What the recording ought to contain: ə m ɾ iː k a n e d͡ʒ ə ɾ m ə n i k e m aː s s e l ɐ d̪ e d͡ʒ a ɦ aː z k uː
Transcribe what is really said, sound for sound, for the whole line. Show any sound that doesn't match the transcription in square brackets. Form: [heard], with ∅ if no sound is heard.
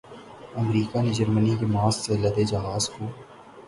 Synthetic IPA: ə m ɾ iː k a n e d͡ʒ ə ɾ m ə n i k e m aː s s e l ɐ d̪ e d͡ʒ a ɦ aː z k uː

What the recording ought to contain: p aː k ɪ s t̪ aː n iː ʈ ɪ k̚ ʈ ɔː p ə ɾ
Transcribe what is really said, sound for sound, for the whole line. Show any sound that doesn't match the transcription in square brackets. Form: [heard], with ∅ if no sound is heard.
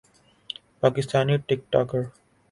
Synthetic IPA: p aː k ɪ s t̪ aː n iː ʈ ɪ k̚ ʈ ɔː [k] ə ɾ

